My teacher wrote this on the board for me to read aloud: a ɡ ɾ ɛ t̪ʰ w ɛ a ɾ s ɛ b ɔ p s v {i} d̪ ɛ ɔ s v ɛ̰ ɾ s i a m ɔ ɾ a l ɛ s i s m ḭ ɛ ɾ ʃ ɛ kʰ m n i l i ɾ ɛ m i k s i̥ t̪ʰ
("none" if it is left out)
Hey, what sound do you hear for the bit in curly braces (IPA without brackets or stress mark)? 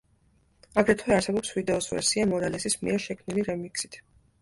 i